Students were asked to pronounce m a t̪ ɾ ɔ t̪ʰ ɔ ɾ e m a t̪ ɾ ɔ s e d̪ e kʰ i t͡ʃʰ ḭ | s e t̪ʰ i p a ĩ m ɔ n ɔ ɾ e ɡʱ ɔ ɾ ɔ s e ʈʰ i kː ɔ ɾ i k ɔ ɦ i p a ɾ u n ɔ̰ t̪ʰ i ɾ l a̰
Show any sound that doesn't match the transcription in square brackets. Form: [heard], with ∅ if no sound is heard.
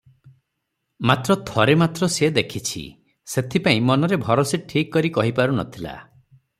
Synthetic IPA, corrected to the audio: m a t̪ ɾ ɔ t̪ʰ ɔ ɾ e m a t̪ ɾ ɔ s e d̪ e kʰ i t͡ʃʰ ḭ | s e t̪ʰ i p a ĩ m ɔ n ɔ ɾ e [bʱ] ɔ ɾ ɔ s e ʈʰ i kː ɔ ɾ i k ɔ ɦ i p a ɾ u n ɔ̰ t̪ʰ i [∅] l a̰